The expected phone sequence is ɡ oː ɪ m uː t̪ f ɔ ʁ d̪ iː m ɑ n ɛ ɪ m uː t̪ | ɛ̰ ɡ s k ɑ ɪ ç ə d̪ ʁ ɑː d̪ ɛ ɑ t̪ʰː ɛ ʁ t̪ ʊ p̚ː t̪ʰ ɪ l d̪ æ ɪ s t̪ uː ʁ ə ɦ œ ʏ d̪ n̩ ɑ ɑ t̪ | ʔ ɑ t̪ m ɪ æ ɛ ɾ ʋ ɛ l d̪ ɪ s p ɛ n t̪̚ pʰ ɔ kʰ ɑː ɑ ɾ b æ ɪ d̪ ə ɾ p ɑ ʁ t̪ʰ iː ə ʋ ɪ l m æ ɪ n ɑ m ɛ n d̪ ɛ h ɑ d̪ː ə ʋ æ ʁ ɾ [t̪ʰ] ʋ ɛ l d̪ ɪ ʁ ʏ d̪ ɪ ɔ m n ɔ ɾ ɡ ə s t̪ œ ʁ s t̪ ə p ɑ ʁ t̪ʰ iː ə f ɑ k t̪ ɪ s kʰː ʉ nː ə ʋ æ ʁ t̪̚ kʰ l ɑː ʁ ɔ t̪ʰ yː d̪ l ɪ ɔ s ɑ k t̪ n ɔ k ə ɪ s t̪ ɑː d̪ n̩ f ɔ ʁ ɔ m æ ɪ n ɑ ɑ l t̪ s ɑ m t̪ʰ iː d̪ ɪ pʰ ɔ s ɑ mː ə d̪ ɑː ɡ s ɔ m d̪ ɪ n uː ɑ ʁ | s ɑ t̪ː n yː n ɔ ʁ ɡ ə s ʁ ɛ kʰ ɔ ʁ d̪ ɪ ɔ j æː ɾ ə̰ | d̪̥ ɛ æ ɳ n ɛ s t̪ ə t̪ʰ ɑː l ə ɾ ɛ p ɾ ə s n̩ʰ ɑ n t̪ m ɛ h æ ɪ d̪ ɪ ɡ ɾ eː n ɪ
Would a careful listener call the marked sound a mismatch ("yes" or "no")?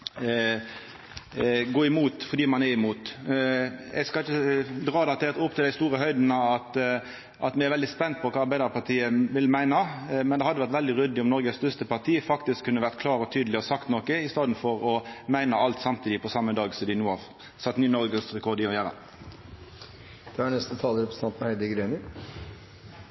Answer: yes